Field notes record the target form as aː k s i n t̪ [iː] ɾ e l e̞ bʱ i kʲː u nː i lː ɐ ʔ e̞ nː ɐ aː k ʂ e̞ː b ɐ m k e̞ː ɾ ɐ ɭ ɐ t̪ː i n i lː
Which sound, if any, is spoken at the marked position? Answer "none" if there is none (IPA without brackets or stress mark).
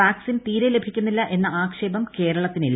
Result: iː